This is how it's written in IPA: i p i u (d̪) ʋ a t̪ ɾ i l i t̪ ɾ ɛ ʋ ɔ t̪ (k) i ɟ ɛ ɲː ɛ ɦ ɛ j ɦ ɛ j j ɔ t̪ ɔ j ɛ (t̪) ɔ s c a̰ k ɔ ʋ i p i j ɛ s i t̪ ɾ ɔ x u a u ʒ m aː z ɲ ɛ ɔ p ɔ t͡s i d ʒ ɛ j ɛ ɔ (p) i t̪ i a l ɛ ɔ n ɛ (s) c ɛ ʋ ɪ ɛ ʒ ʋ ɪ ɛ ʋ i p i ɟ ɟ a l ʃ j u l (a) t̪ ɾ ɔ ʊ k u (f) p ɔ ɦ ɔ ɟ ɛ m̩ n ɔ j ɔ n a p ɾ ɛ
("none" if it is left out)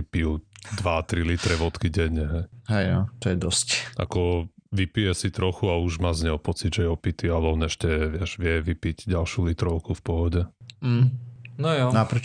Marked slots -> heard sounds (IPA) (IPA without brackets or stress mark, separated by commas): d̪, k, d̪, p, ʃ, i, f